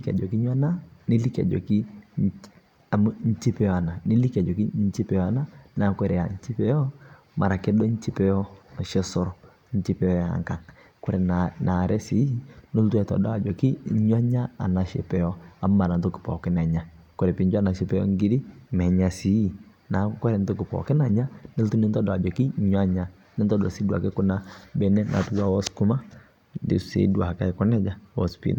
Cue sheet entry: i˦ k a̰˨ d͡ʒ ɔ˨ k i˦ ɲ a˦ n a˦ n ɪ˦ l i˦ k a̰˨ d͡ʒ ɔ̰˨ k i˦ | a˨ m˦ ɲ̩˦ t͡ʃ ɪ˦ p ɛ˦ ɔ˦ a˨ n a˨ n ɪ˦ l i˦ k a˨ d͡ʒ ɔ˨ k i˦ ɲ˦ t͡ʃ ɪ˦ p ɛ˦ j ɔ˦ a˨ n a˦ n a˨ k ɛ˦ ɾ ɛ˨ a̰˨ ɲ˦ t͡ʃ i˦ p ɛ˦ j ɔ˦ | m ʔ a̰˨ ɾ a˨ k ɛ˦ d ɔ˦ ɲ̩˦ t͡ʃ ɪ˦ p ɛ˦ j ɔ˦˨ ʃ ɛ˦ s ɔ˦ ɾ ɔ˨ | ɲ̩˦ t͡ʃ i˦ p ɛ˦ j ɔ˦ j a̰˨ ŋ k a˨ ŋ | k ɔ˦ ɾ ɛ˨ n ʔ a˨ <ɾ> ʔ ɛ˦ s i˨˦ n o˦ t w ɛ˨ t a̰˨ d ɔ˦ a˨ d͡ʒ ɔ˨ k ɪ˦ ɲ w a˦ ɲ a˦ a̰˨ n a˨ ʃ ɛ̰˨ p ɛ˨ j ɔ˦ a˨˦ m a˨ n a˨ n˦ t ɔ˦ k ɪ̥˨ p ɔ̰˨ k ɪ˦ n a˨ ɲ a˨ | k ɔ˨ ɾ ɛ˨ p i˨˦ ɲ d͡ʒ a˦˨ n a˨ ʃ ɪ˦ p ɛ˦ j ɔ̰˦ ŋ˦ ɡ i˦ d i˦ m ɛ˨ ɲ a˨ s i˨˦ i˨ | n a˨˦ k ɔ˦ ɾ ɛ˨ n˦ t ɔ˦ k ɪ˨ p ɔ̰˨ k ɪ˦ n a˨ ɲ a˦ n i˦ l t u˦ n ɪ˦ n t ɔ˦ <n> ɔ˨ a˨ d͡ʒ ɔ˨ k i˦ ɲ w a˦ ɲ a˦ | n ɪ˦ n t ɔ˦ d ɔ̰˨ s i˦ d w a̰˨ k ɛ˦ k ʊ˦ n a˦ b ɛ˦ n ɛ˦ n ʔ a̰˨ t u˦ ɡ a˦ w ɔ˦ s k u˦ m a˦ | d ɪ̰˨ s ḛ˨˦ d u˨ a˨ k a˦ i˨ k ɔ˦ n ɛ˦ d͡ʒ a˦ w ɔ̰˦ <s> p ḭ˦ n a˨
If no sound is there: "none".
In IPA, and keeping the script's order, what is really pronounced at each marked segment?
ɾ, d, s

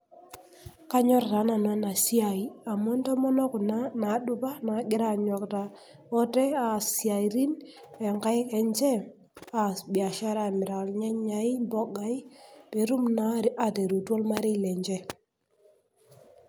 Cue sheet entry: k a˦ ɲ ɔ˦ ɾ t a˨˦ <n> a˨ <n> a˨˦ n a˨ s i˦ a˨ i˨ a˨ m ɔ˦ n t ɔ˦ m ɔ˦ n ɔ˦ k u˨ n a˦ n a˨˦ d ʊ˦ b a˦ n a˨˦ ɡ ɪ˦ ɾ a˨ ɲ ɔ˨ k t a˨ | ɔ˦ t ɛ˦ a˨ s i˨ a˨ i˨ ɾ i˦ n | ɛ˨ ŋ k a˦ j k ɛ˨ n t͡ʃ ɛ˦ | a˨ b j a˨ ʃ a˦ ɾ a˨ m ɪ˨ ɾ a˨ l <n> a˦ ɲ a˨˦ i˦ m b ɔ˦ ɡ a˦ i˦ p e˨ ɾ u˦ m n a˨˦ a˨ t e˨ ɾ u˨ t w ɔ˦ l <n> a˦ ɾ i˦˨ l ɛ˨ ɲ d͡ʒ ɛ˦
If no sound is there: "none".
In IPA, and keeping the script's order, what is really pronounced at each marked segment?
n, n, ɲ, m

